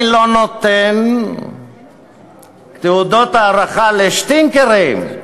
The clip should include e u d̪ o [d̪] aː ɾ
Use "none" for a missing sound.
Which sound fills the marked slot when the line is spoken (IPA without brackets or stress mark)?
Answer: t̪